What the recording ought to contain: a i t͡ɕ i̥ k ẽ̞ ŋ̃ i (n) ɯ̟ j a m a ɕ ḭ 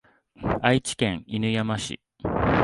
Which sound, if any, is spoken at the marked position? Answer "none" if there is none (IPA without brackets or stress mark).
n